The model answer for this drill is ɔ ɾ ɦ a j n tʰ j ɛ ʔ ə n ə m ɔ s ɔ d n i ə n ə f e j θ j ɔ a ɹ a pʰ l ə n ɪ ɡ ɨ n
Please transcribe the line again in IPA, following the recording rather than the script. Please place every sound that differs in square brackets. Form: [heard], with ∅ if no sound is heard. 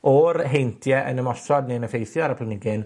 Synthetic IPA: ɔ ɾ ɦ [e] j n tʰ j ɛ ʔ ə n ə m ɔ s ɔ d n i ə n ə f e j θ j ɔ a [ɾ] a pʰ l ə n ɪ ɡ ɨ n